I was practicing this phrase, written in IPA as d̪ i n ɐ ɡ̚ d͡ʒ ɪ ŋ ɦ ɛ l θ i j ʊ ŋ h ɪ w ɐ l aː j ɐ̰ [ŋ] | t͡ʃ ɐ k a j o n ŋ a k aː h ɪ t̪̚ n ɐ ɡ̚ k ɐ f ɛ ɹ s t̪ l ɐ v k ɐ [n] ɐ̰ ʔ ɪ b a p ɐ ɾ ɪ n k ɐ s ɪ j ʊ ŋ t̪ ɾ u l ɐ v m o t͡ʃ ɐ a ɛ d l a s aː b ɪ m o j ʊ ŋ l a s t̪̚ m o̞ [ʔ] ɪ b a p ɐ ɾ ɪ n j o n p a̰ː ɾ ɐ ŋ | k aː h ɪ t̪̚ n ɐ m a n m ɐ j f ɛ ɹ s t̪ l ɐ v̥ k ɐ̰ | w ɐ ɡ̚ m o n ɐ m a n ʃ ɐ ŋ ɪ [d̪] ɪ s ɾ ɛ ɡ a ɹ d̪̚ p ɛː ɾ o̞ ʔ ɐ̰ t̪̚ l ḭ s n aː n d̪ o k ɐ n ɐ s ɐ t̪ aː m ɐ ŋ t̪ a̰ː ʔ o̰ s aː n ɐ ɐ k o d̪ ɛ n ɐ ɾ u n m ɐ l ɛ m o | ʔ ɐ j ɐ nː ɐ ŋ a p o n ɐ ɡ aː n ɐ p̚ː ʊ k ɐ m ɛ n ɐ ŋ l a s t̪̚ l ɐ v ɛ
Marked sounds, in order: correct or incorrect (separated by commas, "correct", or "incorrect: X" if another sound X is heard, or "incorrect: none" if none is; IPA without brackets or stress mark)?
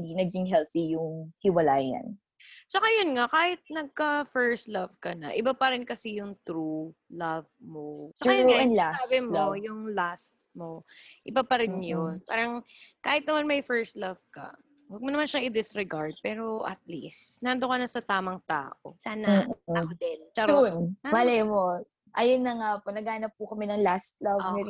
incorrect: n, correct, correct, correct